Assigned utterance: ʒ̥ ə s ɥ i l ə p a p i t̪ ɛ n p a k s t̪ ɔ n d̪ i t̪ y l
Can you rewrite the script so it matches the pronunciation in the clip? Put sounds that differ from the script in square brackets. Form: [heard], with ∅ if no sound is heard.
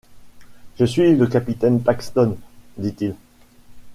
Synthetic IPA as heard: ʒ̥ ə s ɥ i l ə [k] a p i t̪ ɛ n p a k s t̪ ɔ n d̪ i t̪ [i] l